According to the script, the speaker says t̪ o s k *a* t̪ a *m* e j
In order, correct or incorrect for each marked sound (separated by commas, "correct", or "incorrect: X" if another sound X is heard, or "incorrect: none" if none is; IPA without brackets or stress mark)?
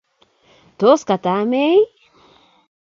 correct, correct